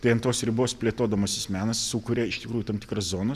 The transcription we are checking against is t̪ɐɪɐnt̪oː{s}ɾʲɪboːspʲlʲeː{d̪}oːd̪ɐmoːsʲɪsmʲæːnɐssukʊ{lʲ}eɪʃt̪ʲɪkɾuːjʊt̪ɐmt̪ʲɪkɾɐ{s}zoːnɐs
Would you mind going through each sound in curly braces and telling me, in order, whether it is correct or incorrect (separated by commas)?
correct, incorrect, incorrect, correct